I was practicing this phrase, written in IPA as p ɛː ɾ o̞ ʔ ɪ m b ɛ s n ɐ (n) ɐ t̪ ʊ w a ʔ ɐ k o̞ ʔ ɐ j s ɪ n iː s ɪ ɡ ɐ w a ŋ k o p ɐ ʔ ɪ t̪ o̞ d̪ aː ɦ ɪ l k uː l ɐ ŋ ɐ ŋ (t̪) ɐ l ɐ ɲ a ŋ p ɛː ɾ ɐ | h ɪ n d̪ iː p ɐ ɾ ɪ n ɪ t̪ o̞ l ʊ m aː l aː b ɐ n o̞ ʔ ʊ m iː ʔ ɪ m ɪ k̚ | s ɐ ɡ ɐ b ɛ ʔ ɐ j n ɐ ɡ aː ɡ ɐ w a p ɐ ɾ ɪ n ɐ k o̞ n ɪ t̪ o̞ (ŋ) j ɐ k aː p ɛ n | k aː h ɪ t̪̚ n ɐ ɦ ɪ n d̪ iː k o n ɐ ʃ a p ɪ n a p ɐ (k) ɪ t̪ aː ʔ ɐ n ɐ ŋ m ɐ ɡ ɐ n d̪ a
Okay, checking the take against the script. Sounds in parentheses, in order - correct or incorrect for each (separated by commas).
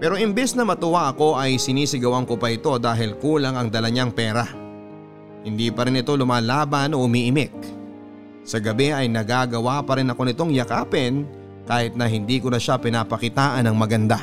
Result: incorrect, incorrect, correct, correct